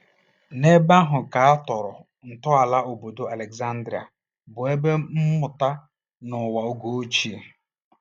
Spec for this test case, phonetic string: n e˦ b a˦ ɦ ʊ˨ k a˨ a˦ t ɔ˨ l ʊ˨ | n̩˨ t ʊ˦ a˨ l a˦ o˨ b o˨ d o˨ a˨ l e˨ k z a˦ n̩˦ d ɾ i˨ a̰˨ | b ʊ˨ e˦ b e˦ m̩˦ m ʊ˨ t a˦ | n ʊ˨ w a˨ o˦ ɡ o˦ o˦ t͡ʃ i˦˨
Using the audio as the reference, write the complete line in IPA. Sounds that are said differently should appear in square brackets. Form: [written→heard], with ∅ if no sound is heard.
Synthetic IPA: n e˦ b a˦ ɦ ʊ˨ k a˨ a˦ t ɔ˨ [l→ɾ] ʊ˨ | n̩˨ t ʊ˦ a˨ l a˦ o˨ b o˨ d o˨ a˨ l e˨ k z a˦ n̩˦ d ɾ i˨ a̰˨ | b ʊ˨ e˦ b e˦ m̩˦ m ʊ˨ t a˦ | n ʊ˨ w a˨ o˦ ɡ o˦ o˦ t͡ʃ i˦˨